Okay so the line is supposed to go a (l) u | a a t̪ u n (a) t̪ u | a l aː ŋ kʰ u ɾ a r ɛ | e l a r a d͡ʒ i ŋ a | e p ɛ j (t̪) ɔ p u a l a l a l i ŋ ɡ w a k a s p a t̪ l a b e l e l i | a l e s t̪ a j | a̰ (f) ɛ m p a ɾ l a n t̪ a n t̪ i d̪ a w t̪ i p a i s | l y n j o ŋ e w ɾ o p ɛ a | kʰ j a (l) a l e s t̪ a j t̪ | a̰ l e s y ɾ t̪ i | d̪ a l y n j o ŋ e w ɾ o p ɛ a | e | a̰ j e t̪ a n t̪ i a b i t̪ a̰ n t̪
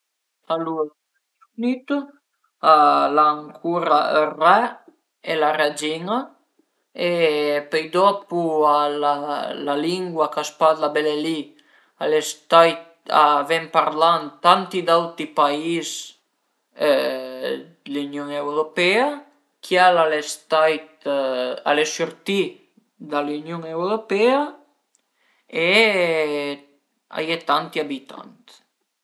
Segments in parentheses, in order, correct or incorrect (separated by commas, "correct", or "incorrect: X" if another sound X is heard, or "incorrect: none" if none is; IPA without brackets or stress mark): correct, incorrect: i, incorrect: d̪, incorrect: v, correct